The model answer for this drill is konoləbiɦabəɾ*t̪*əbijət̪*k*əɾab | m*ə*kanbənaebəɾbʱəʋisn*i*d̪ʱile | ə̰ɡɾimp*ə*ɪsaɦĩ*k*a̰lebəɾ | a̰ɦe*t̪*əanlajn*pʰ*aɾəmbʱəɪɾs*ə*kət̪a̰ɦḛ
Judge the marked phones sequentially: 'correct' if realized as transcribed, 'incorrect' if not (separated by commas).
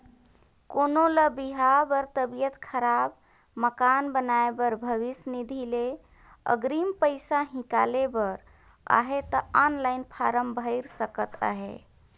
correct, incorrect, correct, correct, correct, correct, correct, correct, correct